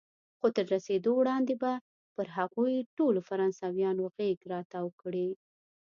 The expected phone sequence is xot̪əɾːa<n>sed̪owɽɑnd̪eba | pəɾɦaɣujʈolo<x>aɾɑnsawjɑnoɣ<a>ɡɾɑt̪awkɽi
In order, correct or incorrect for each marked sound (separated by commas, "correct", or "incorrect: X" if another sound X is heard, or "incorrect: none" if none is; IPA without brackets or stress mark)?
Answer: incorrect: none, incorrect: f, incorrect: e